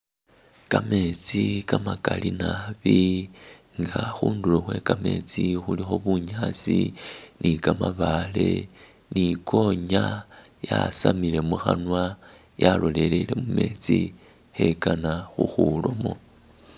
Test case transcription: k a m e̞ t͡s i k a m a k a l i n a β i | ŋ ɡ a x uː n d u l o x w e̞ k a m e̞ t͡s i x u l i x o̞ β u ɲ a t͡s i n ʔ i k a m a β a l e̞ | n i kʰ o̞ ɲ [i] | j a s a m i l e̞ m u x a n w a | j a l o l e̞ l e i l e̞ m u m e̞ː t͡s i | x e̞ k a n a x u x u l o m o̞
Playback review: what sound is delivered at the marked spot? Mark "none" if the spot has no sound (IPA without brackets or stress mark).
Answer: a